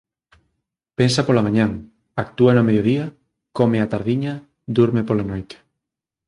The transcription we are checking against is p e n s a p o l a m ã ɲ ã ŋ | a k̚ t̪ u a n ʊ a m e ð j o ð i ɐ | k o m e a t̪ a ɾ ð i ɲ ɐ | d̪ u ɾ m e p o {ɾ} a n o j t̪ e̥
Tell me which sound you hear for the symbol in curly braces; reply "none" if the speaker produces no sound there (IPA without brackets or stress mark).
l